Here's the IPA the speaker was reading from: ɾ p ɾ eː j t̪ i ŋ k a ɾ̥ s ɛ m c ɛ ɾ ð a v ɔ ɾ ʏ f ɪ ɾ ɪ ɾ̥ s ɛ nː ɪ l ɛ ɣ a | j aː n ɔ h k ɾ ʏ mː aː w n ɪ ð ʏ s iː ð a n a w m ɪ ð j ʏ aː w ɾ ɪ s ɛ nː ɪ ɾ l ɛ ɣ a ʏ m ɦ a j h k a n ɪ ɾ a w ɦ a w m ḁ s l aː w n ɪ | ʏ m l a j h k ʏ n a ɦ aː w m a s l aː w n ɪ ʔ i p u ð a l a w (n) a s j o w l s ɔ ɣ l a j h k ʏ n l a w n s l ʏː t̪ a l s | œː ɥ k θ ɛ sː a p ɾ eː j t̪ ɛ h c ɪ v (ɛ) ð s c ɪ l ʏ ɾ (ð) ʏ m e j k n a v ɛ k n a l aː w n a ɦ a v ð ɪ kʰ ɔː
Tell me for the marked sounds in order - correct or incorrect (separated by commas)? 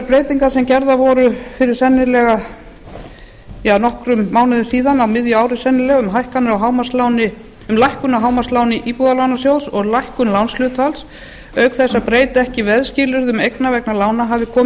correct, correct, correct